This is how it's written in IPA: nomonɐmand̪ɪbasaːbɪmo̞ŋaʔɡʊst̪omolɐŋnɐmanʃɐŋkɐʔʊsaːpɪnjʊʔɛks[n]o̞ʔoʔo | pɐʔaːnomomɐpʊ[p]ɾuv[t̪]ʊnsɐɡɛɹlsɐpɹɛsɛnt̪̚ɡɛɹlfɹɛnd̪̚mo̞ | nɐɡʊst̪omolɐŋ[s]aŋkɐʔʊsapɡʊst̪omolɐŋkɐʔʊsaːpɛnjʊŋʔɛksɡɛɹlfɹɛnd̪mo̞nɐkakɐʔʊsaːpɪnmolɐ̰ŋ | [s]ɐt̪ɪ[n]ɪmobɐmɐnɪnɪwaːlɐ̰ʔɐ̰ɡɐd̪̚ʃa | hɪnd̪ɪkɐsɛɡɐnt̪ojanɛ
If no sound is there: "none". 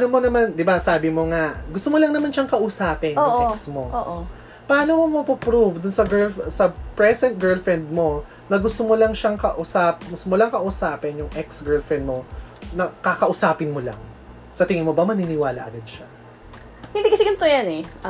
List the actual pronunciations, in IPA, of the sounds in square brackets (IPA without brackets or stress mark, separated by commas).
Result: m, p, d̪, ʃ, s, ŋ